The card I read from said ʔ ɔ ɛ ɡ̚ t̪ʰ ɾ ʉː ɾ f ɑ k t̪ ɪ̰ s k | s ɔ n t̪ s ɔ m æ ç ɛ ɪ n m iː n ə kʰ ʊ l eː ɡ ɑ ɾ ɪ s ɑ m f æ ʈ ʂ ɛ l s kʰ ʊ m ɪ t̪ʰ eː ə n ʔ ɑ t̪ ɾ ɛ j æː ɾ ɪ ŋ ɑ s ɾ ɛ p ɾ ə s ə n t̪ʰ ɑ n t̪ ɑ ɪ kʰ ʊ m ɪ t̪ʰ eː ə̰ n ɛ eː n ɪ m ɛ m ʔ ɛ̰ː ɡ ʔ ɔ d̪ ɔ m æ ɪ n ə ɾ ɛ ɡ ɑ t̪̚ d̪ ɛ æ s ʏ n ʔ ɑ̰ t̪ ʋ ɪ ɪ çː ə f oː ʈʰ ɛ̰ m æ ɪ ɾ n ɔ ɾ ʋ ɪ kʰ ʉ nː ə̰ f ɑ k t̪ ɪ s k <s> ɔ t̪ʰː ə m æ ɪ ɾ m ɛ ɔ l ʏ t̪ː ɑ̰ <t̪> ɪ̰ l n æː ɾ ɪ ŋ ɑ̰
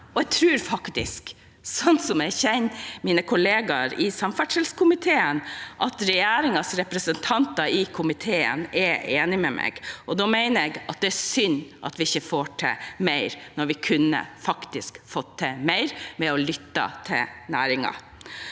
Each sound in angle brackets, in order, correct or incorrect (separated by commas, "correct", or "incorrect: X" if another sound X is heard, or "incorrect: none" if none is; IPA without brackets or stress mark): incorrect: f, incorrect: t̪ʰ